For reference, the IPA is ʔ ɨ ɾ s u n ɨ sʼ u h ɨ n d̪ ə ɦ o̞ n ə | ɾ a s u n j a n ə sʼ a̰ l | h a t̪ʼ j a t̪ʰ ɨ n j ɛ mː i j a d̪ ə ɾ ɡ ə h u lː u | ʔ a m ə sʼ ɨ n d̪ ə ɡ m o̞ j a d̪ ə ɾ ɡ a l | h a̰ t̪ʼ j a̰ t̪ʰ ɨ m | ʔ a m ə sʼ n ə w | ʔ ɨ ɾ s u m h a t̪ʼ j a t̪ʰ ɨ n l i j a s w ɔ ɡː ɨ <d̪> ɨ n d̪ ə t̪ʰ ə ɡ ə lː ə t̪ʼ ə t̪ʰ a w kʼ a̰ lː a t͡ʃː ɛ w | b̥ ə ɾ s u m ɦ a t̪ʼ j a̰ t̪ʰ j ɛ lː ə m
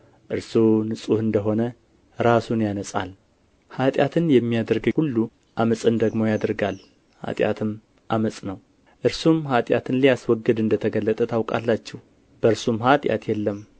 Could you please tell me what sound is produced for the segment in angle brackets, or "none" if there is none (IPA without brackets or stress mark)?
d̪